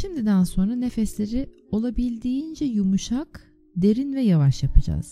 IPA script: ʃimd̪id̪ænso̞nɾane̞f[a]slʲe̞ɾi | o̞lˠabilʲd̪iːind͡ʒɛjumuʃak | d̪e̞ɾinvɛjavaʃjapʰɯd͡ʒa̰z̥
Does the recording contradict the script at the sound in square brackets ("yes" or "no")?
yes